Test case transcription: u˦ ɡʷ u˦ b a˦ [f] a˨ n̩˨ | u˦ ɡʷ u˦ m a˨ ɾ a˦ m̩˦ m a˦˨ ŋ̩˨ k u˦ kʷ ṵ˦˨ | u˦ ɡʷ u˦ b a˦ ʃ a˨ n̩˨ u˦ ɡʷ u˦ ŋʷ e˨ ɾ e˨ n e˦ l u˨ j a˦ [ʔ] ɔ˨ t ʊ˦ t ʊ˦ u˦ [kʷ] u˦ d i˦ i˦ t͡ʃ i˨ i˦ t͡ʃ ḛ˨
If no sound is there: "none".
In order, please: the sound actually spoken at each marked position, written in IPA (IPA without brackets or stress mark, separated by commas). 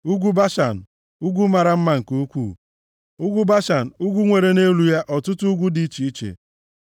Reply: ʃ, ʔ, ɡʷ